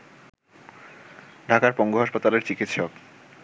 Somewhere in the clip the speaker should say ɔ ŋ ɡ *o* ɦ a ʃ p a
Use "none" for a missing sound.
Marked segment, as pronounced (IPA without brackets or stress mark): o